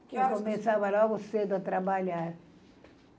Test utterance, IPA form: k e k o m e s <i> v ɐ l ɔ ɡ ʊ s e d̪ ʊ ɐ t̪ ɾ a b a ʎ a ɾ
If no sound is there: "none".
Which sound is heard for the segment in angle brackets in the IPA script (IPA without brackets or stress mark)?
a